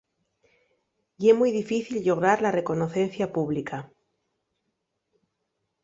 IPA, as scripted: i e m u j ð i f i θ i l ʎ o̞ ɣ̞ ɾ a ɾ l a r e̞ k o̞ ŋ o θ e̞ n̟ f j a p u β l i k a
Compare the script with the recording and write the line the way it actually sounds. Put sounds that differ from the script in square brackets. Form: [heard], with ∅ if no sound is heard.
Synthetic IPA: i e m u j ð i f i θ i l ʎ o̞ ɣ̞ ɾ a ɾ l a r e̞ k o̞ [n] o θ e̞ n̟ [θ] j a p u β l i k a

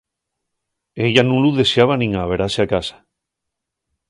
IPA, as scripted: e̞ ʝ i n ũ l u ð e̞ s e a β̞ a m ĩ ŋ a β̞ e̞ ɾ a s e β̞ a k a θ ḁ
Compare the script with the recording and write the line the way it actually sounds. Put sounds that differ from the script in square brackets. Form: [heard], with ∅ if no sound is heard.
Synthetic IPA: e̞ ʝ [a] n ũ l u ð e̞ s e a β̞ a [n] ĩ ŋ a β̞ e̞ ɾ a s e [∅] a k a [s] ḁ

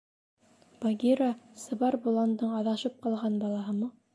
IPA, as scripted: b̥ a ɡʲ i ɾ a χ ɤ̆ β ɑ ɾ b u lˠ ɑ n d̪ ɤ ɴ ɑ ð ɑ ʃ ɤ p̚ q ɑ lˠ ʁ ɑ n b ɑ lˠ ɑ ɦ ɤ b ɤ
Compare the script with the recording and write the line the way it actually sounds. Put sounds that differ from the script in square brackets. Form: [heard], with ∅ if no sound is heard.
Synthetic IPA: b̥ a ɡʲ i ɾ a [s] ɤ̆ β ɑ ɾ b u lˠ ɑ n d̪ ɤ ɴ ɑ ð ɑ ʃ ɤ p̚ q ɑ lˠ ʁ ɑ n b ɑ lˠ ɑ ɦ ɤ [m] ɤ

